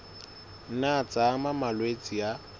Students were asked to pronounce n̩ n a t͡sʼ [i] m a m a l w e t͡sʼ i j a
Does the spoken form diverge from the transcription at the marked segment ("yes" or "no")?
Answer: yes